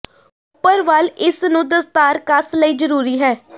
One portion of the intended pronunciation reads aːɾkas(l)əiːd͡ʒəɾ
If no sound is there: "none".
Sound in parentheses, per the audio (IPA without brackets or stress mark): l